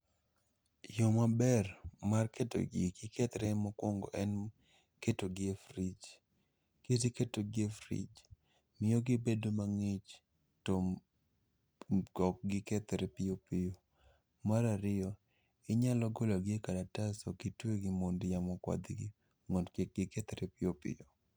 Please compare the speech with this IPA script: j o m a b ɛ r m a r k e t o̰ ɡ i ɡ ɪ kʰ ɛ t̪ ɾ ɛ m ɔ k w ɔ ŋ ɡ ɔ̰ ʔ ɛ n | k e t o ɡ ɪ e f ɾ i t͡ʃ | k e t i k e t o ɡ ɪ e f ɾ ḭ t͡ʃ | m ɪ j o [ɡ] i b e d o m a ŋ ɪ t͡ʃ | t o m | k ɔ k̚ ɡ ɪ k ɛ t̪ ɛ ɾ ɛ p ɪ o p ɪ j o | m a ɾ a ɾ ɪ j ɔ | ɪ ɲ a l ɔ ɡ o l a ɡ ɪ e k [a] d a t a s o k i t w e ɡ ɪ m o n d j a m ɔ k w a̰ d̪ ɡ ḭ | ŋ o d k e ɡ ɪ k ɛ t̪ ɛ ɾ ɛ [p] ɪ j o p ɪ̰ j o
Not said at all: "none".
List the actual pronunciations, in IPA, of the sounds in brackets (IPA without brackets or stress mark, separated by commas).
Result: ɡ, a, p